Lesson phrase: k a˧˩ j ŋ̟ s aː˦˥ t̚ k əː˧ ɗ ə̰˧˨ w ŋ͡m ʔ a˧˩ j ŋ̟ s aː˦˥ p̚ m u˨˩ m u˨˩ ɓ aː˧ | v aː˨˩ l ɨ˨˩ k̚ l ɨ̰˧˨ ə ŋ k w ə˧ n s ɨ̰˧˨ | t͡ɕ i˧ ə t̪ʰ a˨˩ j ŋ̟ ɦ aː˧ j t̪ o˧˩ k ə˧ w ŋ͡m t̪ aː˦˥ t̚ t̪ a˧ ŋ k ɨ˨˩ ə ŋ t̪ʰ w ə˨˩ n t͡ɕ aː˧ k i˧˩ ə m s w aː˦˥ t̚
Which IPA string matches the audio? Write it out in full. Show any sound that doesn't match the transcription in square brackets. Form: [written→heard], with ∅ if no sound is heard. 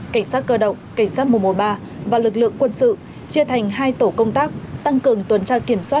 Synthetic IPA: k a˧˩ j ŋ̟ s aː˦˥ t̚ k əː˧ ɗ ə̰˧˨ w ŋ͡m [ʔ→k] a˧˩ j ŋ̟ s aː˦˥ [p̚→t̚] m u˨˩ m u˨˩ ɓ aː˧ | v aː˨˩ l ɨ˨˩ k̚ l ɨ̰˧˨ ə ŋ k w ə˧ n s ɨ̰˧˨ | t͡ɕ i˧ ə t̪ʰ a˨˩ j ŋ̟ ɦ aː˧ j t̪ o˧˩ k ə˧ w ŋ͡m t̪ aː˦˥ [t̚→k̚] t̪ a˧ ŋ k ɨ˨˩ ə ŋ [t̪ʰ→t̪] w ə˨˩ n t͡ɕ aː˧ k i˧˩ ə m s w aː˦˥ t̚